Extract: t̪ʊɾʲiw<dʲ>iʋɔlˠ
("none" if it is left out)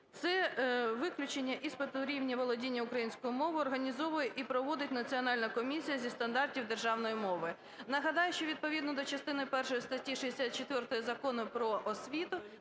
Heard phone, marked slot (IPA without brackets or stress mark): nʲ